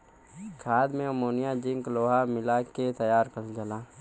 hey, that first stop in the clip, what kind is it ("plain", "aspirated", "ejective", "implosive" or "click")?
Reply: aspirated